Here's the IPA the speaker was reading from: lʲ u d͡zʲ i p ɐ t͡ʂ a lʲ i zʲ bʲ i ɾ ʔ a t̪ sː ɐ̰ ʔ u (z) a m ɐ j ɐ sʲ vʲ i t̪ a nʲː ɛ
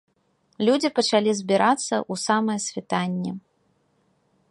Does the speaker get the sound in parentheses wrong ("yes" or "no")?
yes